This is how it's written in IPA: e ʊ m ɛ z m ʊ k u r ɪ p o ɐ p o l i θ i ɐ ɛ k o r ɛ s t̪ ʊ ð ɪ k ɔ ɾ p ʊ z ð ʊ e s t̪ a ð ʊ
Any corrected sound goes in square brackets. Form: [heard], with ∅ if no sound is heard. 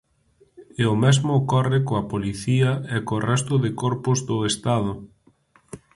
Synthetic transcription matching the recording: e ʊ m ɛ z m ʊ k [ɔ] r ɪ [k] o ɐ p o l i θ i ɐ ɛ k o r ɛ s t̪ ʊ ð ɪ k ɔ ɾ p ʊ z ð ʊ e s t̪ a ð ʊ